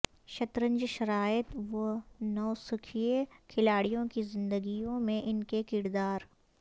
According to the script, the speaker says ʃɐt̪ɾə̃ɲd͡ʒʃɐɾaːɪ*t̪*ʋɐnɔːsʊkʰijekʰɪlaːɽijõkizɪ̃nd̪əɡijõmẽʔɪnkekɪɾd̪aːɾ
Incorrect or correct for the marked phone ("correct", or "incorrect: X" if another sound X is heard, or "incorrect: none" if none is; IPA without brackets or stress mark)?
correct